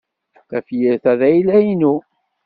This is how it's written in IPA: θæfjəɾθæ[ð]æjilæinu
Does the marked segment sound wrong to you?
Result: no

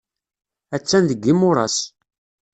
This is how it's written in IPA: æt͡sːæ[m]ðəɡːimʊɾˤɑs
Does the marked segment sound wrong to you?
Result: yes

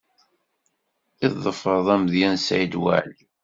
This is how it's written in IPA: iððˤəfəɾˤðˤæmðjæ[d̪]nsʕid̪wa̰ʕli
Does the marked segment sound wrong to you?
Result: yes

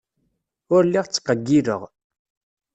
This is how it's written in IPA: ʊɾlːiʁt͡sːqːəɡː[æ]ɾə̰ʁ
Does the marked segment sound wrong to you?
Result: yes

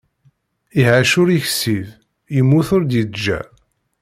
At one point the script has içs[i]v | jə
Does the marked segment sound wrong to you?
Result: no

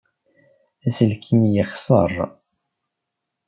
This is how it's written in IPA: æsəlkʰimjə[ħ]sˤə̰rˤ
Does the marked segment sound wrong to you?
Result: yes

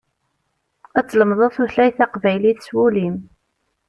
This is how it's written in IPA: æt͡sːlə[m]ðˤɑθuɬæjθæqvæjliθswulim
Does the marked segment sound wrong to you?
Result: no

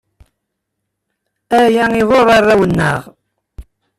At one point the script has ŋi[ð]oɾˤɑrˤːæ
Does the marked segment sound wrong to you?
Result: no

